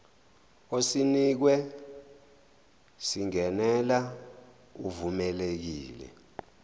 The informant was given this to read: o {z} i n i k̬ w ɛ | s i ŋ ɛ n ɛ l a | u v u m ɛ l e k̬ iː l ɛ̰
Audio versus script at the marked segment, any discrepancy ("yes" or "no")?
yes